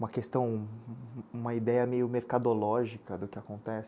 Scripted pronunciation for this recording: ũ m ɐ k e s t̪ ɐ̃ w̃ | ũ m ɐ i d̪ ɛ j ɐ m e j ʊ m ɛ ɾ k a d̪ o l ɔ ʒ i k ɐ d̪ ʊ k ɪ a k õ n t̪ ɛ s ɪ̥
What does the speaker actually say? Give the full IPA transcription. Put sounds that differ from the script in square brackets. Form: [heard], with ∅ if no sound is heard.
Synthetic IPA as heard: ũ m ɐ k e s t̪ ɐ̃ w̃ | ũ m ɐ i d̪ ɛ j ɐ m e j ʊ m [e] ɾ k a d̪ o l ɔ ʒ i k ɐ d̪ ʊ k ɪ a k õ n t̪ ɛ s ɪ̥